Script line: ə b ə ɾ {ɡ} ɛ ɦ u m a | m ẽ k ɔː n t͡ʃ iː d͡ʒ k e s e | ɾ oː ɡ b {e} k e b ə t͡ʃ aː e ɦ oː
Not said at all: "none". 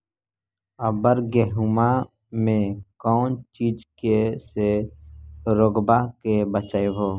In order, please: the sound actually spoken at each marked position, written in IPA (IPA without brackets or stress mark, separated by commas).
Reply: ɡ, a